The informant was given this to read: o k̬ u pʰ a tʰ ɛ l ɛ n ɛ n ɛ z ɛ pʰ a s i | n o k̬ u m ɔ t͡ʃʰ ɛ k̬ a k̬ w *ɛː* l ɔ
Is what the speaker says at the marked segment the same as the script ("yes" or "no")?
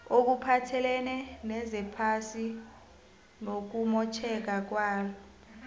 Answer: no